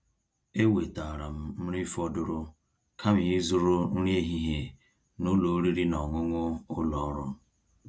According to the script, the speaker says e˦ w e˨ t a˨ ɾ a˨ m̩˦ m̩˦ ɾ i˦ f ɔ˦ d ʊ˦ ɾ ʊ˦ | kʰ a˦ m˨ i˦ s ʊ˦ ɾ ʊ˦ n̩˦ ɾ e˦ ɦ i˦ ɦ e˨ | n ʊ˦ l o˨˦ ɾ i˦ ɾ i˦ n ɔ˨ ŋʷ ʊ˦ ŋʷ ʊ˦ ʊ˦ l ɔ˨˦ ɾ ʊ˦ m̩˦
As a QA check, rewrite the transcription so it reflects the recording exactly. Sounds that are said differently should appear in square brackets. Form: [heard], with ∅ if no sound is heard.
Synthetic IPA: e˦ w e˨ t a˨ ɾ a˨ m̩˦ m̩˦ ɾ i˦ f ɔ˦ d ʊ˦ ɾ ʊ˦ | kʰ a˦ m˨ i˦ [z] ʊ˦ ɾ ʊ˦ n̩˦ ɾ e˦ ɦ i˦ ɦ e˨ | n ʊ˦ l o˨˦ ɾ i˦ ɾ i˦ n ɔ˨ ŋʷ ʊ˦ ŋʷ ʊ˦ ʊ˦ l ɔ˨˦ ɾ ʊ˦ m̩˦